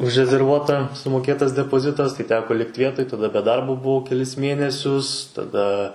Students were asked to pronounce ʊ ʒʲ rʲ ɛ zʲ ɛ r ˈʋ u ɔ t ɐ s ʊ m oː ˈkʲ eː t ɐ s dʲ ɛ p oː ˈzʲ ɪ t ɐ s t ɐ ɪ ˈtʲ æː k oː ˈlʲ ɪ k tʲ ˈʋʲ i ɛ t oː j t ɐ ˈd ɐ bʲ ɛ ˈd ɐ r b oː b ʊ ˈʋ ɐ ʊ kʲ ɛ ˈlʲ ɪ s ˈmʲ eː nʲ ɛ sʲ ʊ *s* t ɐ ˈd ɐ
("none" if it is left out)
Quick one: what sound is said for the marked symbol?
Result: s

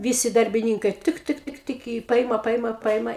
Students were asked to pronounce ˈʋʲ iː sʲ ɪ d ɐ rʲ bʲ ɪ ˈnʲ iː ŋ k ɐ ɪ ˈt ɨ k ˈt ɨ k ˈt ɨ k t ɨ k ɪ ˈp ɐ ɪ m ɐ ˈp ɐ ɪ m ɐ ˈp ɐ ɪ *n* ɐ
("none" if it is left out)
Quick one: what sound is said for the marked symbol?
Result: m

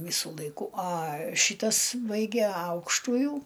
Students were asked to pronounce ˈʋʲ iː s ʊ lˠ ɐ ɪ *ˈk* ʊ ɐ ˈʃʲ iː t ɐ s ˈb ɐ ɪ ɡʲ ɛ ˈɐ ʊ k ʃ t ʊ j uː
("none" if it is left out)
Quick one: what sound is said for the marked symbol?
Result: k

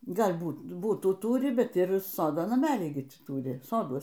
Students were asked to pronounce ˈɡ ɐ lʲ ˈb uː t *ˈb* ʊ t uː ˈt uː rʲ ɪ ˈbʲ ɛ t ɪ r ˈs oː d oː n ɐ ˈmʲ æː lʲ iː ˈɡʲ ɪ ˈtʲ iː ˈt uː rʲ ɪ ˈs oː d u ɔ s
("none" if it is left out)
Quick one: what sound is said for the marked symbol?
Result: b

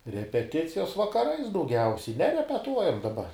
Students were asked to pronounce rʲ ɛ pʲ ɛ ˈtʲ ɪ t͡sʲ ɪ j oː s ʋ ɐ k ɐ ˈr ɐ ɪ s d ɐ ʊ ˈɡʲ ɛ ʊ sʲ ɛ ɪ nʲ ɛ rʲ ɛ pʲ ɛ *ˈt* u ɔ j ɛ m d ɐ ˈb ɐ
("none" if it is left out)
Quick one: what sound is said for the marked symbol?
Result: t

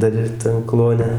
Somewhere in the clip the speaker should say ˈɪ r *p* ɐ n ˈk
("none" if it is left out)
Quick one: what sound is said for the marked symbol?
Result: t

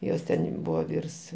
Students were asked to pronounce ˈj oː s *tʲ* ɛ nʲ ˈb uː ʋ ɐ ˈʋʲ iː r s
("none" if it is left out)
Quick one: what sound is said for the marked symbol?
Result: tʲ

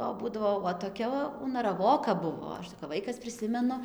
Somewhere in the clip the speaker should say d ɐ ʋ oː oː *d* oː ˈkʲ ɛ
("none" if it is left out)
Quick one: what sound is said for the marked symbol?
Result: t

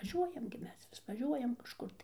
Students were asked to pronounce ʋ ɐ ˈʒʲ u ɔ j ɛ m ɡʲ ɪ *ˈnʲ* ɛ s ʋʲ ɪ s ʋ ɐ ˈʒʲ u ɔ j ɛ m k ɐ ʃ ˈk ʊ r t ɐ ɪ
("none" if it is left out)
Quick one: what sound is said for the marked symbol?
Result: mʲ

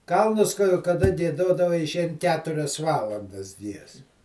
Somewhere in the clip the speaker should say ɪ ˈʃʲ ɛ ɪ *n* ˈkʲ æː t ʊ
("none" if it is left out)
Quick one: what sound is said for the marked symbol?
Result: n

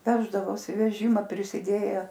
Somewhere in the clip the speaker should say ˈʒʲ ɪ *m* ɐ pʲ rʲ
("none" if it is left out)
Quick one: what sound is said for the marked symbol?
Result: m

